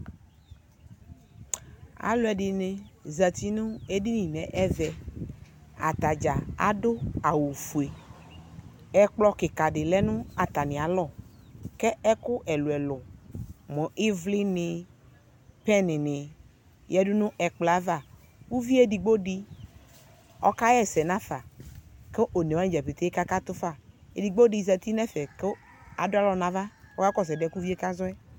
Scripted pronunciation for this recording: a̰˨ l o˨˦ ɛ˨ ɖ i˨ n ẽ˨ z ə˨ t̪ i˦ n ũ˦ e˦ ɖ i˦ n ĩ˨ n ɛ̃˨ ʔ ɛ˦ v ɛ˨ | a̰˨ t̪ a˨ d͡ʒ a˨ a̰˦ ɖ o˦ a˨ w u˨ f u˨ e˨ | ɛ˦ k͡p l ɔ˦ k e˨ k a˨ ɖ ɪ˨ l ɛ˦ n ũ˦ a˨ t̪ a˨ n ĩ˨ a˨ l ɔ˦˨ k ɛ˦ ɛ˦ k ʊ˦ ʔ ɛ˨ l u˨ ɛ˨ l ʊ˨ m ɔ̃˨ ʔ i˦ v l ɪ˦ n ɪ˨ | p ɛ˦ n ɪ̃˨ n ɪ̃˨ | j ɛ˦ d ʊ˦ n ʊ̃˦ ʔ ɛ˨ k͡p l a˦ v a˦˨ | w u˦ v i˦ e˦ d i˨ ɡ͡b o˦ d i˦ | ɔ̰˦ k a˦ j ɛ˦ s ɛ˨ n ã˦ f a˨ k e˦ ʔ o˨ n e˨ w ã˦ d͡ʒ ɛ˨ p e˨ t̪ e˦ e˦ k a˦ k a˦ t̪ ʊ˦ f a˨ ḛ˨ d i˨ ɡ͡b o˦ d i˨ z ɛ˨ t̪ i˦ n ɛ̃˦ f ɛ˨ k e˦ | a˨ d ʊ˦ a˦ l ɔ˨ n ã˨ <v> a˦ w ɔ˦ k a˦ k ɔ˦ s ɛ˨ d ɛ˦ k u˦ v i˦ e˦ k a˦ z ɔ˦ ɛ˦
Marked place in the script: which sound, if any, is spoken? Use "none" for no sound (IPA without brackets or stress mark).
v